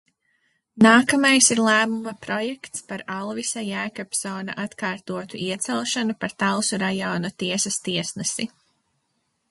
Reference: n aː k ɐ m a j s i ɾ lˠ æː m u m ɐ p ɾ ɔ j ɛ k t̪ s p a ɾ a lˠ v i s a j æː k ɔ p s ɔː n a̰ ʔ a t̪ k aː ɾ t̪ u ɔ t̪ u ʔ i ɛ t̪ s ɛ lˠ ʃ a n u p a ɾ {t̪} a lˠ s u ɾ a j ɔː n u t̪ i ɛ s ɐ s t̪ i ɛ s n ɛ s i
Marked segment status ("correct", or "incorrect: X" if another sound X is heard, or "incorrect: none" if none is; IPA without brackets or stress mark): correct